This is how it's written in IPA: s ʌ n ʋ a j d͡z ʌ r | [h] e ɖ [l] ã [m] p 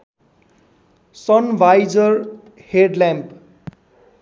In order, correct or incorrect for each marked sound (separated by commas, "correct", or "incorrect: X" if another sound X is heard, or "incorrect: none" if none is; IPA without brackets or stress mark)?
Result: correct, correct, correct